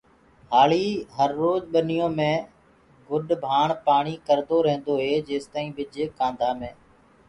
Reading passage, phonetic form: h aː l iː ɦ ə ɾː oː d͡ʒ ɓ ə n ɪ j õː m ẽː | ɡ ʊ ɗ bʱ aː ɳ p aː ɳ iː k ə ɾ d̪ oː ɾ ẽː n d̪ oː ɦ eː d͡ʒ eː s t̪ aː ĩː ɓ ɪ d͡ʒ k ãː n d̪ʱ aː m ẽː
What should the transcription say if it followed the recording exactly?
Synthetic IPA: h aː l iː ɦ ə ɾː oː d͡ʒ ɓ ə n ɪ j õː m ẽː | ɡ ʊ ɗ bʱ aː ɳ p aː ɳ iː k ə ɾ d̪ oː ɾ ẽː n d̪ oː ɦ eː d͡ʒ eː s t̪ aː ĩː ɓ ɪ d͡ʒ k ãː n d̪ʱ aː m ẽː

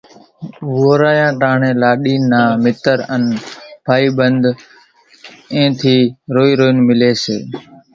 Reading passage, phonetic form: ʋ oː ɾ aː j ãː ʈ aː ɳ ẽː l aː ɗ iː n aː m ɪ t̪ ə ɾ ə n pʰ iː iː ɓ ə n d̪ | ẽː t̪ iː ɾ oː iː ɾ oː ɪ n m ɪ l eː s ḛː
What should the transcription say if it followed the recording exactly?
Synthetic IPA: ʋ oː ɾ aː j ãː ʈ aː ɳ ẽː l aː ɗ iː n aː m ɪ t̪ ə ɾ ə n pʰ aː iː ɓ ə n d̪ | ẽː t̪ʰ iː ɾ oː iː ɾ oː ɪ n m ɪ l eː s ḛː

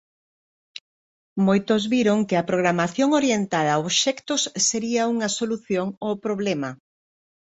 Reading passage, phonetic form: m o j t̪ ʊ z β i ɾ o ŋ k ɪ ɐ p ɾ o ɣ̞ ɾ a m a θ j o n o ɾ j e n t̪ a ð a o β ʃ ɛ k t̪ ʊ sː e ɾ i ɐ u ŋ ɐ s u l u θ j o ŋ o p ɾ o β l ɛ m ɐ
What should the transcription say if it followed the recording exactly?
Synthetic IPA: m o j t̪ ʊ z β i ɾ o ŋ k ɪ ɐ p ɾ o ɣ̞ ɾ a m a θ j o ŋ o ɾ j e n t̪ a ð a o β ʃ ɛ k t̪ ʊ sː e ɾ i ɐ u ŋ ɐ s o l u θ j o ŋ o p ɾ o β l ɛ m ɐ

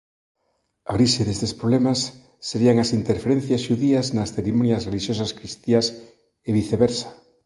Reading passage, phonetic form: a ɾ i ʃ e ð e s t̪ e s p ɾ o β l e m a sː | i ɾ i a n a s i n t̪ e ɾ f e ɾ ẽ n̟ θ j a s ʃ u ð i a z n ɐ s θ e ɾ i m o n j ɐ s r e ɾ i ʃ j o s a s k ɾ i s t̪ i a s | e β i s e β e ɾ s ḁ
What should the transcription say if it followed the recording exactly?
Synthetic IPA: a ɾ i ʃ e ð e s t̪ e s p ɾ o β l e m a sː | e ɾ i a ŋ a s i n t̪ e ɾ f e ɾ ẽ n̟ θ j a s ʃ u ð i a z n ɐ s θ e ɾ i m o n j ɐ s r e l i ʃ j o s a s k ɾ i s t̪ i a s | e β i θ e β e ɾ s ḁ

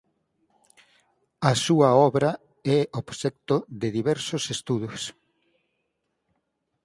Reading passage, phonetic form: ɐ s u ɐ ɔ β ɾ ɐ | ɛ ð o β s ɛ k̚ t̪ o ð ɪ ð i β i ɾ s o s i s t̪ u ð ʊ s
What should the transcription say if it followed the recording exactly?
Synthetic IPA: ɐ s u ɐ ɔ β ɾ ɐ | ɛ o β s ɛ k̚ t̪ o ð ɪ ð i β ɛ ɾ s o s e s t̪ u ð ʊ s

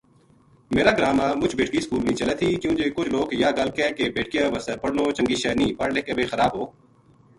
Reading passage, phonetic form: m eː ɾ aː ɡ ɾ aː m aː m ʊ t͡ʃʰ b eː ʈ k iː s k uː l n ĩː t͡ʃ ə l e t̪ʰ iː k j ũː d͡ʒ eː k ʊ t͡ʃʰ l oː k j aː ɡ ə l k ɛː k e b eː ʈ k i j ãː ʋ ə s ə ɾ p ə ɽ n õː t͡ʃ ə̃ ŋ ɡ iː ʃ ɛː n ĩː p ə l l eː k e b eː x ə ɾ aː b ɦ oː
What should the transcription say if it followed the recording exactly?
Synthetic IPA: m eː ɾ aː ɡ ɾ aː m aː m ʊ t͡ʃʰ b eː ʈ k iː s k uː l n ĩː t͡ʃ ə l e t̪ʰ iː k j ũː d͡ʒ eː k ʊ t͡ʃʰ l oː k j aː ɡ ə l k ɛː k e b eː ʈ k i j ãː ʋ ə s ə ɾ p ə ɽ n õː t͡ʃ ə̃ ŋ ɡ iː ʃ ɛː n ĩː p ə ɽ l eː k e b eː x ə ɾ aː b ɦ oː

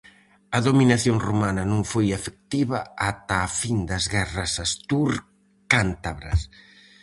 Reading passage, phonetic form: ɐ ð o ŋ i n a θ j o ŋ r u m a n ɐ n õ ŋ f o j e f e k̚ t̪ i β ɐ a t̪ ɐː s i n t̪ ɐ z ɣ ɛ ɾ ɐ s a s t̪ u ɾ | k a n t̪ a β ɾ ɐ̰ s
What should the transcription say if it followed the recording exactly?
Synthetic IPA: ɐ ð o m i n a θ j o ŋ r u m a n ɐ n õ ŋ f o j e f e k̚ t̪ i β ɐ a t̪ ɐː f i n d̪ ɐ z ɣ ɛ r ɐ s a s t̪ u ɾ | k a n t̪ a β ɾ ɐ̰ s

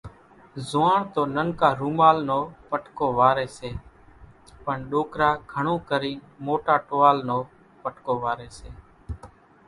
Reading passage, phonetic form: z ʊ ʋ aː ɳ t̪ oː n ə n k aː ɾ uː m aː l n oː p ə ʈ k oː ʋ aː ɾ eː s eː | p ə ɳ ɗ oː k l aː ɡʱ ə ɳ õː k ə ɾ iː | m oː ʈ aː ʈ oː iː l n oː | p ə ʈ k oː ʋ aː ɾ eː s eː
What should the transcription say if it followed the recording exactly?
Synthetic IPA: z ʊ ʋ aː ɳ t̪ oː n ə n k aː ɾ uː m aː l n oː p ə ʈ k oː ʋ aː ɾ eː s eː | p ə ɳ ɗ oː k ɾ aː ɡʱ ə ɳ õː k ə ɾ iː | m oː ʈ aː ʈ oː aː l n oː | p ə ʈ k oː ʋ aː ɾ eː s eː

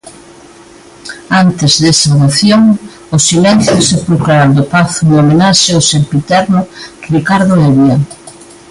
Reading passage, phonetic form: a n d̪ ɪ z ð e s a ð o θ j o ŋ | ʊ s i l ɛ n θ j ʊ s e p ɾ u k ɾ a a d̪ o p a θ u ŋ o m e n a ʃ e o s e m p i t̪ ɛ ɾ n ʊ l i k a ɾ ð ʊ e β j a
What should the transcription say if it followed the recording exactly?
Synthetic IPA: a n t̪ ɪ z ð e s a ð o θ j o ŋ | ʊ s i l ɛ n θ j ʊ s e p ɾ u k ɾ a a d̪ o p a θ u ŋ o m e n a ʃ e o s e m p i t̪ ɛ ɾ n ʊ r i k a ɾ ð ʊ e β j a

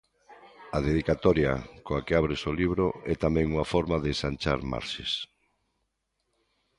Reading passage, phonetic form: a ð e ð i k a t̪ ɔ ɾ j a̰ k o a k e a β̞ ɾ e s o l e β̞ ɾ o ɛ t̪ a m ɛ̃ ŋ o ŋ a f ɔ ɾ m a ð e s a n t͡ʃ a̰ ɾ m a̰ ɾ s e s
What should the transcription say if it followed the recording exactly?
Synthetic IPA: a ð e ð i k a t̪ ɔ ɾ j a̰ k o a k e a β̞ ɾ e s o l i β̞ ɾ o ɛ t̪ a m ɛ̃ ŋ u ŋ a f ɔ ɾ m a ð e s a n t͡ʃ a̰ ɾ m a̰ ɾ ʃ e s

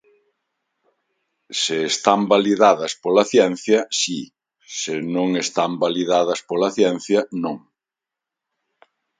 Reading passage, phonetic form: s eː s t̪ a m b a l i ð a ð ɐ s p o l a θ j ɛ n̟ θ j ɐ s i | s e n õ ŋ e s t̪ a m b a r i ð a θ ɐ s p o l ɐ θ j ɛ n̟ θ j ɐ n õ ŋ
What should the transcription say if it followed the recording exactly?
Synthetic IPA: s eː s t̪ a m b a l i ð a ð ɐ s p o l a θ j ɛ n̟ θ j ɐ s i | s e n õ ŋ e s t̪ a m b a l i ð a ð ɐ s p o l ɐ θ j ɛ n̟ θ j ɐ n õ ŋ

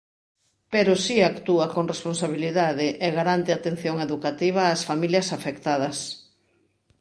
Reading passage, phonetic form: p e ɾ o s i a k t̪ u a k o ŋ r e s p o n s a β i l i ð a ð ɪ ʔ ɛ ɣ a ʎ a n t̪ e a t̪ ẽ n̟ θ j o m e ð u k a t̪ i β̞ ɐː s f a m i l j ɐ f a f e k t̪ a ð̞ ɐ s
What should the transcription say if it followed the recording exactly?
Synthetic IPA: p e ɾ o s i a k t̪ u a k o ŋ r e s p o n s a β i l i ð a ð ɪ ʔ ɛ ɣ a ɾ a n t̪ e a t̪ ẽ n̟ θ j o ŋ e ð u k a t̪ i β̞ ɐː s f a m i l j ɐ s a f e k t̪ a ð̞ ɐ s

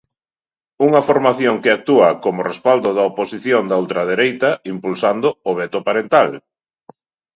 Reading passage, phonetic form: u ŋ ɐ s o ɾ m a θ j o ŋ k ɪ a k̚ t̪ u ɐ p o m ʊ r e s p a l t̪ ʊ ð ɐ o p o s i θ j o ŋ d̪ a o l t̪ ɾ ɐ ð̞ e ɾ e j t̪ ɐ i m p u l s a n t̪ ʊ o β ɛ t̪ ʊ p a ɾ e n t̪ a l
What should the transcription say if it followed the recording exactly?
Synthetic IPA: u ŋ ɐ f o ɾ m a θ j o ŋ k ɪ a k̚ t̪ u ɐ k o m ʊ r e s p a l d̪ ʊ ð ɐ o p o s i θ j o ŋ d̪ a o l t̪ ɾ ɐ ð̞ e ɾ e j t̪ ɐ i m p u l s a n d̪ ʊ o β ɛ t̪ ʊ p a ɾ e n t̪ a l

